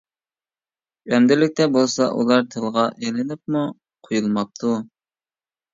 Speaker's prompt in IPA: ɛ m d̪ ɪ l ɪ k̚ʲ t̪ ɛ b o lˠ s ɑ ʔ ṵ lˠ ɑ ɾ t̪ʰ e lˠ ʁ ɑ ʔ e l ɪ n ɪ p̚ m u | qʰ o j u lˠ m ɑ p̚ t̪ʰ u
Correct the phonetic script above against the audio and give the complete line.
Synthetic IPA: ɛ m d̪ ɪ l ɪ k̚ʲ t̪ ɛ b o lˠ s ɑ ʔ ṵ lˠ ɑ ɾ t̪ʰ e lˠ ʁ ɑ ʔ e l ɪ n ɪ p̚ m u | qʰ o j u lˠ m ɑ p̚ t̪ʰ u